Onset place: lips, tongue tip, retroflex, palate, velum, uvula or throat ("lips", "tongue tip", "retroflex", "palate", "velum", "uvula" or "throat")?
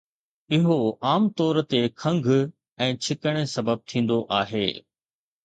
throat